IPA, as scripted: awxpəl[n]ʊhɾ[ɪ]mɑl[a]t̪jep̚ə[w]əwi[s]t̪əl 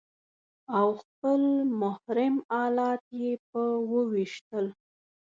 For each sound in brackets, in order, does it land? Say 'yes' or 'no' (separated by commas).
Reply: no, yes, no, yes, no